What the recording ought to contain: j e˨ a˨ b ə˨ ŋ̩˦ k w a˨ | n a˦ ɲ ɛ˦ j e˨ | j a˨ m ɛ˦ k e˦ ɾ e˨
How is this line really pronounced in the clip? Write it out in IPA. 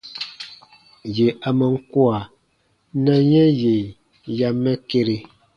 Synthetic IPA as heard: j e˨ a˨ m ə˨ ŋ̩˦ k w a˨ | n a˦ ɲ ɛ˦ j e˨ | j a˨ m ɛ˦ k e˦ ɾ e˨